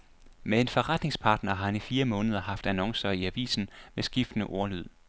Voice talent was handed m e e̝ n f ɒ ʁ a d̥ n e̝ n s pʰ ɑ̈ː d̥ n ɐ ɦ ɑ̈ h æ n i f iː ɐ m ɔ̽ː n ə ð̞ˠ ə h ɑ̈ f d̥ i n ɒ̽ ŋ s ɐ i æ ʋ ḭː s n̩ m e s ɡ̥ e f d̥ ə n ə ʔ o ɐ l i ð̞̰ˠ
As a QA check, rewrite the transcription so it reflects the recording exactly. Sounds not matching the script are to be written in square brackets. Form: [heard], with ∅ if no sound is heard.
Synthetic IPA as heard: m e e̝ n f ɒ ʁ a d̥ n e̝ [ŋ] s pʰ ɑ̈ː d̥ n ɐ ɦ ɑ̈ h æ n i f iː ɐ m ɔ̽ː n ə ð̞ˠ [ɐ] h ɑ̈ f d̥ [æ] n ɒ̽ ŋ s ɐ i æ ʋ ḭː s n̩ m e s ɡ̥ [i] f d̥ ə n ə ʔ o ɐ l [y] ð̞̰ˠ

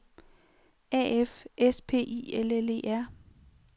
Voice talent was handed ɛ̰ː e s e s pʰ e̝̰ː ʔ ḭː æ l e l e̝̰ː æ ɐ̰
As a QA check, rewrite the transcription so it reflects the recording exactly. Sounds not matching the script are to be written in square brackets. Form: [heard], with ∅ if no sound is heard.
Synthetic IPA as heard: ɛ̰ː e [f] e s pʰ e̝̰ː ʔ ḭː [e] l e l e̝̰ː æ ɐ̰

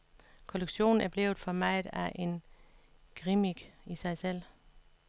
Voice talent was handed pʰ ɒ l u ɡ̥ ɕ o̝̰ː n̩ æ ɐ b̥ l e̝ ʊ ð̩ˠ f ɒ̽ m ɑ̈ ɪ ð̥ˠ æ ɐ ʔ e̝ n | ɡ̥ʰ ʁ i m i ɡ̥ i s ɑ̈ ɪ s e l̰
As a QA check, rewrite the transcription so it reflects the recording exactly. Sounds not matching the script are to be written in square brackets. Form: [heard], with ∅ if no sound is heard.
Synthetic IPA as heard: [kʰ] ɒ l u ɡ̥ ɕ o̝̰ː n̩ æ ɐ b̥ l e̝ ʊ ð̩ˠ f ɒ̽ m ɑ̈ ɪ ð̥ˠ æ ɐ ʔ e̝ n | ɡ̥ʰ ʁ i m i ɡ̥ i s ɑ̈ ɪ s e l̰

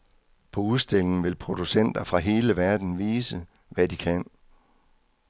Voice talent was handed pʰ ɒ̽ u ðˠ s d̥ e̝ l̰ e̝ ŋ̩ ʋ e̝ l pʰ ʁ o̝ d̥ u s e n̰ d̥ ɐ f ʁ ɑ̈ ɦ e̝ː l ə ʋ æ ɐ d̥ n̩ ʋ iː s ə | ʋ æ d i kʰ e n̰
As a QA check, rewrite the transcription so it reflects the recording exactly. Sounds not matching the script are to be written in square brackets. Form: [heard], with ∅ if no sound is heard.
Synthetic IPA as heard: pʰ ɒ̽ u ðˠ s d̥ e̝ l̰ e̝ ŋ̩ ʋ e̝ l pʰ ʁ o̝ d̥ u s e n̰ d̥ ɐ f ʁ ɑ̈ ɦ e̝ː l ə ʋ æ ɐ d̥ n̩ ʋ iː s ə | ʋ æ d i kʰ [æ] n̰

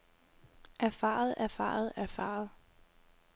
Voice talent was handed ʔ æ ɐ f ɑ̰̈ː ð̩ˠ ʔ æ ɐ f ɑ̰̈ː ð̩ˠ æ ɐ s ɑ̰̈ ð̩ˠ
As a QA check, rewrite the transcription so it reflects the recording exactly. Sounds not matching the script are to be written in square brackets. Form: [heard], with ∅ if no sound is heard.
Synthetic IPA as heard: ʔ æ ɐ f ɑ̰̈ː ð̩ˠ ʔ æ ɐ f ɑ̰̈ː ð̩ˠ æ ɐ [f] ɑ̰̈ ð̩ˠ

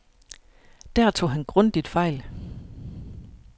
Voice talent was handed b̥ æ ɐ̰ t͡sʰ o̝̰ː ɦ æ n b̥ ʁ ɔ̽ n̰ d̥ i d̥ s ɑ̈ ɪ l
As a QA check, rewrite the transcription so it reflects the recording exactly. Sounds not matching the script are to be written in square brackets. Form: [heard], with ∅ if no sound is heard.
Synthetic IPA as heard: [d̥] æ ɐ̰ t͡sʰ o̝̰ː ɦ æ n [ɡ̥] ʁ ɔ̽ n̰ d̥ i d̥ [f] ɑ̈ ɪ l

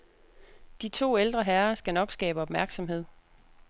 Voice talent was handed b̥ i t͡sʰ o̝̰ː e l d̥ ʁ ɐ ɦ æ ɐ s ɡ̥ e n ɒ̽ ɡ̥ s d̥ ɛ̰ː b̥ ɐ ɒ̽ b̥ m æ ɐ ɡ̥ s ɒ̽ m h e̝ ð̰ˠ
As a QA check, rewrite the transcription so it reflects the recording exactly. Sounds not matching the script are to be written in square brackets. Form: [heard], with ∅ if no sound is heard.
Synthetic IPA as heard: [d̥] i t͡sʰ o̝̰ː e l d̥ ʁ ɐ ɦ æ ɐ s ɡ̥ [æ] n ɒ̽ ɡ̥ s [ɡ̥] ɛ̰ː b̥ [ə] ɒ̽ b̥ m æ ɐ ɡ̥ s ɒ̽ m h e̝ ð̰ˠ

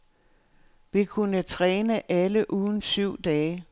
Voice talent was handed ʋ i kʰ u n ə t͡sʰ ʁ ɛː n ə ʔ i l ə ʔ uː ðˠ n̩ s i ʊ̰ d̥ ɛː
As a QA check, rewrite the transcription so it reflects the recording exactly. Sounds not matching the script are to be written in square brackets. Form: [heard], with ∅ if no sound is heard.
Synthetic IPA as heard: ʋ i kʰ u n ə t͡sʰ ʁ ɛː n ə ʔ [æ] l ə ʔ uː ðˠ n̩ s [y] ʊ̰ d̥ ɛː

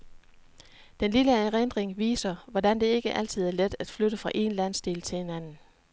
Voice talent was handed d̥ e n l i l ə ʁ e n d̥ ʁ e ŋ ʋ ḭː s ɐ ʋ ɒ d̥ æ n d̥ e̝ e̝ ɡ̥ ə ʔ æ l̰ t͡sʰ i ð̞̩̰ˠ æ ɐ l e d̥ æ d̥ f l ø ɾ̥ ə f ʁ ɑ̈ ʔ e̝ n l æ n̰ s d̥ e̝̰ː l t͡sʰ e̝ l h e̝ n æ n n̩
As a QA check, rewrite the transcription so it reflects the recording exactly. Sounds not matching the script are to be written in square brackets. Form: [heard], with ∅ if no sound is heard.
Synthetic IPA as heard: d̥ e n l i l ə ʁ e n d̥ ʁ e ŋ ʋ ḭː s ɐ ʋ ɒ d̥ æ n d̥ e̝ e̝ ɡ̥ ə ʔ æ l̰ t͡sʰ i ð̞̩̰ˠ æ ɐ l e d̥ æ d̥ f l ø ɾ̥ ə f ʁ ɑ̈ ʔ e̝ n l æ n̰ s d̥ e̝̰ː l t͡sʰ e̝ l h e̝ n æ n n̩

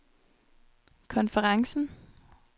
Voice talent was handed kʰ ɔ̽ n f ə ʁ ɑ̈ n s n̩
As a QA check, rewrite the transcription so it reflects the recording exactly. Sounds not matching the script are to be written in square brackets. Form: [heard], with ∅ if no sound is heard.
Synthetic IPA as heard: kʰ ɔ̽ n f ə ʁ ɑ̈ [ŋ] s n̩

